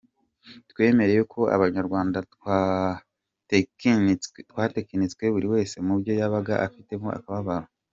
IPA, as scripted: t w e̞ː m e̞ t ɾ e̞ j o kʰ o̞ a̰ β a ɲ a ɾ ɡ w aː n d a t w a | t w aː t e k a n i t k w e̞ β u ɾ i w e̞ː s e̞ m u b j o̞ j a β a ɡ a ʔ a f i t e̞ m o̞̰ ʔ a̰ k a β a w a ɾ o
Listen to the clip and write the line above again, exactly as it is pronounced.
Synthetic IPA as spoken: t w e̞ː m e̞ ɾ e̞ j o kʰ o̞ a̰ β a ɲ a ɾ ɡ w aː n d a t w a | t w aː t e k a n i t͡s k w e̞ β u ɾ i w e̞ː s e̞ m u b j o̞ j a β a ɡ a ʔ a f i t e̞ m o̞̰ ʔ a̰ k a β a β a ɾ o